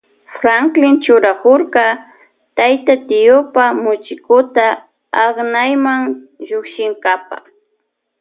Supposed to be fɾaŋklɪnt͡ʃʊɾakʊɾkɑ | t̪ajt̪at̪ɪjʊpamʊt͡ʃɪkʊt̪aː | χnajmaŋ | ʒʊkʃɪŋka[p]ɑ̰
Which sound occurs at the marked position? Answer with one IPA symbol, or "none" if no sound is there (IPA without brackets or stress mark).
p